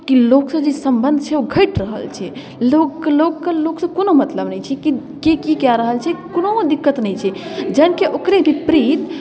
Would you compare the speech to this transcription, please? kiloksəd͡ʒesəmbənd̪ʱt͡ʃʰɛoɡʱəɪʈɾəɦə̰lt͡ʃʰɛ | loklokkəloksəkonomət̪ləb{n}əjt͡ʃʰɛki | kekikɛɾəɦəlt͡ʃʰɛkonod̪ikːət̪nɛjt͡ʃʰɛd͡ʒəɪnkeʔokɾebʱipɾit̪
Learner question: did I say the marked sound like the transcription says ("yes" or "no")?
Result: yes